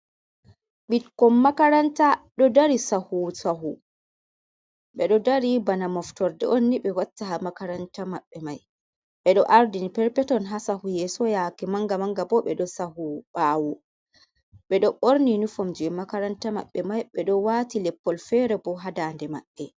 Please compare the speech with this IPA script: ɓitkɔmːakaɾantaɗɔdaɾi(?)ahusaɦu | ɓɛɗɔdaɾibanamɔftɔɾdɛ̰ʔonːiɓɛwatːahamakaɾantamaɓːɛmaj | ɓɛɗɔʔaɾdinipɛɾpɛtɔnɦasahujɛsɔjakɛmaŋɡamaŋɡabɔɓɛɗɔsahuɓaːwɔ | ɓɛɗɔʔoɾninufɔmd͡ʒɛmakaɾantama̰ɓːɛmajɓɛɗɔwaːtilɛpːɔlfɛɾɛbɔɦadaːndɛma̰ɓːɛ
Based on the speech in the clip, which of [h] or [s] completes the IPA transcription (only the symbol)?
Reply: s